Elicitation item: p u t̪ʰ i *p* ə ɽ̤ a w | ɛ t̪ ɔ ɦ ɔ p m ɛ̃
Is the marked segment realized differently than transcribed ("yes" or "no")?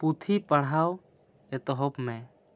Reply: no